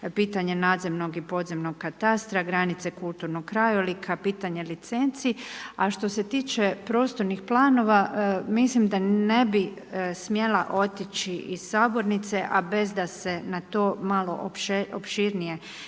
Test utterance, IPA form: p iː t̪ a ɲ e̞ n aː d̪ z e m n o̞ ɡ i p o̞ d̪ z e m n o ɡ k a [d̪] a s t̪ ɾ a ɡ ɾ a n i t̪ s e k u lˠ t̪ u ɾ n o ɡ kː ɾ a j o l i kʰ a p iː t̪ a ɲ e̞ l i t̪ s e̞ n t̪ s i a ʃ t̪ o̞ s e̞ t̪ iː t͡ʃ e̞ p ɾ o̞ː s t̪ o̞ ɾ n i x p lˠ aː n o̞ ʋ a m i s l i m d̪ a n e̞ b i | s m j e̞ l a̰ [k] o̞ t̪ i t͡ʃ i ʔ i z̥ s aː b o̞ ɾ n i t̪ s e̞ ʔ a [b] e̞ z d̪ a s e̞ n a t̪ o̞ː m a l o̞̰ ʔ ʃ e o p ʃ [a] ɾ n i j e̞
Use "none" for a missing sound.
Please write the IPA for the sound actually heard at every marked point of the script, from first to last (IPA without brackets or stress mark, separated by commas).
t̪, ʔ, b, i